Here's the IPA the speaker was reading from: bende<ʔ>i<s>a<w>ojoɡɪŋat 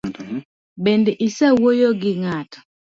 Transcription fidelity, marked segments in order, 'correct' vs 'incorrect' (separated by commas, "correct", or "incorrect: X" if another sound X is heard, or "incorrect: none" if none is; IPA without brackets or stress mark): correct, correct, correct